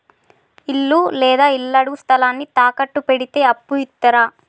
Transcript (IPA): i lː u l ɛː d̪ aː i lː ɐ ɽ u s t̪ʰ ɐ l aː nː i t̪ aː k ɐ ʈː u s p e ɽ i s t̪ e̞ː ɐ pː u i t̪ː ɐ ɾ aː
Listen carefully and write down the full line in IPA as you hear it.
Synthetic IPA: i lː u l ɛː d̪ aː i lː ɐ ɽ u s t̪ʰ ɐ l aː nː i t̪ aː k ɐ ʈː u p e ɽ i t̪ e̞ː ɐ pː u i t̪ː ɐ ɾ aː